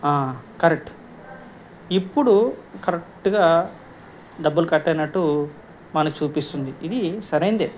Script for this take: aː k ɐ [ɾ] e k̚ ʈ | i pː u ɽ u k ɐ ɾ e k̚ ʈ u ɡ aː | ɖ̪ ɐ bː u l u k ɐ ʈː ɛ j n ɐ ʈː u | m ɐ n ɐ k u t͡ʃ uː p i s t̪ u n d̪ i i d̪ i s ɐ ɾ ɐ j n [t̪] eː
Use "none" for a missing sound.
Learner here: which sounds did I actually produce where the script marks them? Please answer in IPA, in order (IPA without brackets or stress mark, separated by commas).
ɾ, d̪